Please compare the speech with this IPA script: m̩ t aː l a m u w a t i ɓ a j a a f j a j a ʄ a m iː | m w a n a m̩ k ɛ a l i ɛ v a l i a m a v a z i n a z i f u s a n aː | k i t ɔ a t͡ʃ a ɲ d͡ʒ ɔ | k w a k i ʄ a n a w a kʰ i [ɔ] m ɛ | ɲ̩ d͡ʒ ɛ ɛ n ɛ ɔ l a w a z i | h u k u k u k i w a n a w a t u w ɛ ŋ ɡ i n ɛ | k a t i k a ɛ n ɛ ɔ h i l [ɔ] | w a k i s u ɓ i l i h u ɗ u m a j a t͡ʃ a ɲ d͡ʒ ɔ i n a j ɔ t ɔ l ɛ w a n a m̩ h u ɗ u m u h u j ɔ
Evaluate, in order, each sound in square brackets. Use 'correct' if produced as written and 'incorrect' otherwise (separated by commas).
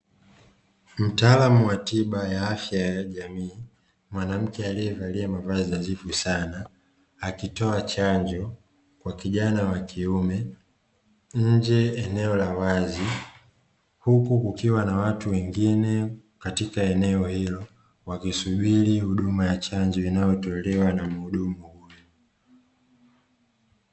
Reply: incorrect, correct